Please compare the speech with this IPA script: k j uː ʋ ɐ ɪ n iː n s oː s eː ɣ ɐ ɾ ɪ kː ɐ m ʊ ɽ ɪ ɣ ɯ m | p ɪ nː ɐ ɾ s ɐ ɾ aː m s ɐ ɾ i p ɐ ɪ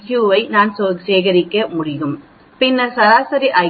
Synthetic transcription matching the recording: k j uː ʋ ɐ ɪ n aː n s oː s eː ɣ ɐ ɾ ɪ kː ɐ m ʊ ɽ ɪ ɣ ɯ m | p ɪ nː ɐ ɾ s ɐ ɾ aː s ɐ ɾ i ʔ ɐ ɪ